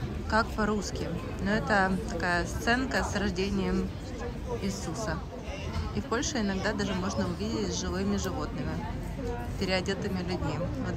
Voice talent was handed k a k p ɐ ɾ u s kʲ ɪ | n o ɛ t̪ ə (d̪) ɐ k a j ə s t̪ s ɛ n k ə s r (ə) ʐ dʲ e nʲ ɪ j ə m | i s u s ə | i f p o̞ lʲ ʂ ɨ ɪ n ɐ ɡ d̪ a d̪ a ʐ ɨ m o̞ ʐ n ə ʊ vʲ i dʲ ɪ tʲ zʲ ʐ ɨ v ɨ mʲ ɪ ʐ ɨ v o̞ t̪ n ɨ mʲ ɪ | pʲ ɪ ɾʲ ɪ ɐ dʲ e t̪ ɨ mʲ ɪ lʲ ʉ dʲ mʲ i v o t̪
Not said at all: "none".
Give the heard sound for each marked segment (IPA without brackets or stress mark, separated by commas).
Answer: t̪, ɐ